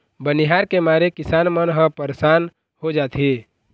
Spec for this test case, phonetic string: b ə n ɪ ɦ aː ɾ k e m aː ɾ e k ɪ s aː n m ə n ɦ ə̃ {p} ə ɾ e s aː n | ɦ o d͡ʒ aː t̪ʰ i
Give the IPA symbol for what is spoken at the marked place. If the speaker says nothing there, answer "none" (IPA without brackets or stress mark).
p